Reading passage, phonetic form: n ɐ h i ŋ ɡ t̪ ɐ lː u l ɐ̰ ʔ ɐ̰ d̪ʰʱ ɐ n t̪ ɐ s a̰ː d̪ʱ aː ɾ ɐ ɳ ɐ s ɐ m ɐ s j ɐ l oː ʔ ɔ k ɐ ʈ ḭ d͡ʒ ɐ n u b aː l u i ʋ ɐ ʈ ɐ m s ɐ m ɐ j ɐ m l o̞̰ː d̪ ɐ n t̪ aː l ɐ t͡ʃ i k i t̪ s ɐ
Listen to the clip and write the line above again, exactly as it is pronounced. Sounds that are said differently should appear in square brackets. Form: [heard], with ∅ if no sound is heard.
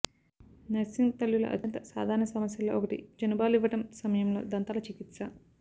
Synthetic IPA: n ɐ [s] i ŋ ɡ t̪ ɐ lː u l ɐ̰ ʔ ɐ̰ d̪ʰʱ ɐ n t̪ ɐ s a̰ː d̪ʱ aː ɾ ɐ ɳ ɐ s ɐ m ɐ s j ɐ l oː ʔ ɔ k ɐ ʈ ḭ d͡ʒ ɐ n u b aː l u i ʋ ɐ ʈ ɐ m s ɐ m ɐ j ɐ m l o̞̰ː d̪ ɐ n t̪ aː l ɐ t͡ʃ i k i t̪ s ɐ